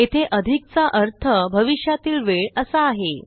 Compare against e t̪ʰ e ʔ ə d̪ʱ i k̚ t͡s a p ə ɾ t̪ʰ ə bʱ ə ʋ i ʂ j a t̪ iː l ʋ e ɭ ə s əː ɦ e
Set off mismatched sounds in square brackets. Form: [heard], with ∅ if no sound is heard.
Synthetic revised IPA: e t̪ʰ e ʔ ə d̪ʱ i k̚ t͡s a [ʔ] ə ɾ t̪ʰ ə bʱ ə ʋ i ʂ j a t̪ iː l ʋ e ɭ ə s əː ɦ e